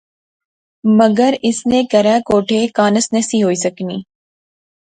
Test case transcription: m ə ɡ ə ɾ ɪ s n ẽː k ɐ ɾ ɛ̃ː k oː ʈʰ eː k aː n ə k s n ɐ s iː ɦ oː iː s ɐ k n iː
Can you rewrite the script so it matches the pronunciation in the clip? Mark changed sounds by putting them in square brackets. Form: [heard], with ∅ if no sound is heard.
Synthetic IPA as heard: m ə ɡ ə ɾ ɪ s n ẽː k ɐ ɾ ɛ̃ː k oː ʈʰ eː k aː n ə [∅] s n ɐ s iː ɦ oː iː s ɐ k n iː